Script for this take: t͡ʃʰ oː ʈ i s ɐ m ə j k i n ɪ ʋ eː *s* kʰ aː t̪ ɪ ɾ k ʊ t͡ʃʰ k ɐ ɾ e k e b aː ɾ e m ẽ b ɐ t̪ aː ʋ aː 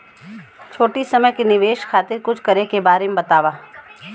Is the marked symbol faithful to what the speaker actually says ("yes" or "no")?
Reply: no